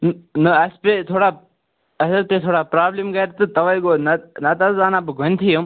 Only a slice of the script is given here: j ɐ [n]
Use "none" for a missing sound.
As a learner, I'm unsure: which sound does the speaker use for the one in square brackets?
m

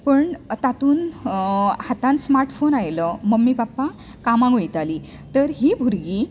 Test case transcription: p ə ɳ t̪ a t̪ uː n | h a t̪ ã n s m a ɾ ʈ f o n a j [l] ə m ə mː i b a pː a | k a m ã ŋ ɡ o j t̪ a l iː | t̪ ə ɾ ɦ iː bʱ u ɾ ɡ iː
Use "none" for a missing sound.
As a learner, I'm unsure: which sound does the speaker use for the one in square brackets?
l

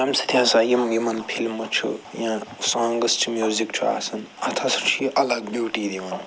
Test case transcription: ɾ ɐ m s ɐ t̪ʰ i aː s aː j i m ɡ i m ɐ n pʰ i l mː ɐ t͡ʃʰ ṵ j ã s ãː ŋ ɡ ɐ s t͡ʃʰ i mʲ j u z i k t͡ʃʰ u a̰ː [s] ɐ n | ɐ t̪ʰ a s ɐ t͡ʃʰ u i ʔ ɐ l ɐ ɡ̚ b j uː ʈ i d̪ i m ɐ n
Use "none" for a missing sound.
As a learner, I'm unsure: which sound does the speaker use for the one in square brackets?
s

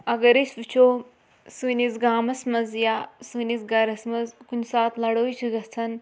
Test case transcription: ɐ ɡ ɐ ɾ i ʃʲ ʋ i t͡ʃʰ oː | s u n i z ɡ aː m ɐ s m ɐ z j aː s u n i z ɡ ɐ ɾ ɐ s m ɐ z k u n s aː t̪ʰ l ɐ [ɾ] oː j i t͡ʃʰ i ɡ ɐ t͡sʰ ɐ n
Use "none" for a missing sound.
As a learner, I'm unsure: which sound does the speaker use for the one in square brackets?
ɽ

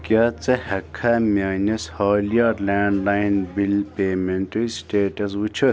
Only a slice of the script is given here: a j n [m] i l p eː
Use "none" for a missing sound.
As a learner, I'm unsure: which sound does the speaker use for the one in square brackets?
b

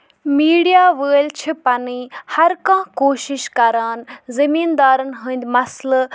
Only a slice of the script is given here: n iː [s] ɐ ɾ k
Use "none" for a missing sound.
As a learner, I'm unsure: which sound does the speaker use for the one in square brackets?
h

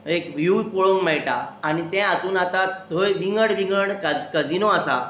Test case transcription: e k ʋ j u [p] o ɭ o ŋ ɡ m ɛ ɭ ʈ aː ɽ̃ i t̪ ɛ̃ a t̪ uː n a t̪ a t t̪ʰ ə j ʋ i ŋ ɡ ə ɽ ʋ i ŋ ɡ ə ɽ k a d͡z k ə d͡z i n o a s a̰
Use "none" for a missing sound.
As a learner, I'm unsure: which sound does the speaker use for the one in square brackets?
p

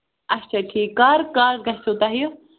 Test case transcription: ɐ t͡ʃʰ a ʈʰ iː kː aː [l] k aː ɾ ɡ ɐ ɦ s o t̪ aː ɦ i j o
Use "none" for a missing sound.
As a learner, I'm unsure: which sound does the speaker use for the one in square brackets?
ɾ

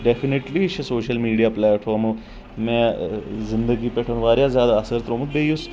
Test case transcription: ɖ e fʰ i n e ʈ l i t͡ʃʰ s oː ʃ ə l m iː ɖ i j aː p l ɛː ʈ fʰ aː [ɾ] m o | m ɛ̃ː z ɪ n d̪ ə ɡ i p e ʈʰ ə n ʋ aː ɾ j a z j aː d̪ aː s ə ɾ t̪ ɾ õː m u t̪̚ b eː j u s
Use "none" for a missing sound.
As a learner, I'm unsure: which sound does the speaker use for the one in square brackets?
ɾ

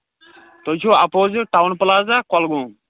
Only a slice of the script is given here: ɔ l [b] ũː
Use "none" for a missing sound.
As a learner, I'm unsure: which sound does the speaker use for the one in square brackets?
ɡ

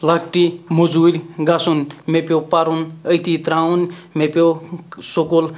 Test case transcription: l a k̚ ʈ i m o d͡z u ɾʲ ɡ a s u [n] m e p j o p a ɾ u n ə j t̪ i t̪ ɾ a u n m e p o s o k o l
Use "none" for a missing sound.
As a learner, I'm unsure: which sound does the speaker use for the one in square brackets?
n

